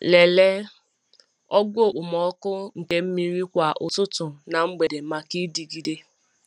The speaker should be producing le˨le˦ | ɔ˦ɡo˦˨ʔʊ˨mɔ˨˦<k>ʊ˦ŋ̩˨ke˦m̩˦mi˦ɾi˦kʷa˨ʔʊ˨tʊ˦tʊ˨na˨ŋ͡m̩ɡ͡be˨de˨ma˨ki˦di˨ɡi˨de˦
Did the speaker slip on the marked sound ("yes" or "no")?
no